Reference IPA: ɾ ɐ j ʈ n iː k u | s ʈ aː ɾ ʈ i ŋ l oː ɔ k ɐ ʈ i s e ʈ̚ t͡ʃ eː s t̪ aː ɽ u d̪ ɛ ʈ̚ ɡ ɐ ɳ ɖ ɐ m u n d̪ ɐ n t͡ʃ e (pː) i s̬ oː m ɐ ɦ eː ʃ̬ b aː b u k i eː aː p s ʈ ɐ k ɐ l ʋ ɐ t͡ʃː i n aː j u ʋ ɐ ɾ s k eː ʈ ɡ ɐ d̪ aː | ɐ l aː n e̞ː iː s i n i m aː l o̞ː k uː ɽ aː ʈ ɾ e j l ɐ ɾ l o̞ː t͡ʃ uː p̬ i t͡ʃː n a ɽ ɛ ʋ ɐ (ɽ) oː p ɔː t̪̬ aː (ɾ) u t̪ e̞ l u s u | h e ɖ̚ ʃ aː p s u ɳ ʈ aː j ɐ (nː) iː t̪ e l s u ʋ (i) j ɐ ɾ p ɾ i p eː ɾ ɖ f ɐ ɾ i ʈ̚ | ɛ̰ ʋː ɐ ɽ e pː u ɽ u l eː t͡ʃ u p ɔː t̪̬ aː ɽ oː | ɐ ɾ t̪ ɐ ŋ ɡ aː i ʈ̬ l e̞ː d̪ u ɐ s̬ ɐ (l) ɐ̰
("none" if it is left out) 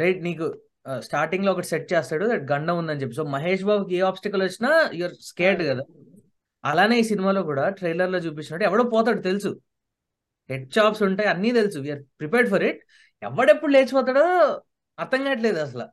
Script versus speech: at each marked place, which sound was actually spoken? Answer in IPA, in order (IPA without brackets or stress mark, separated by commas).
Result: pː, ɽ, ɽ, nː, i, l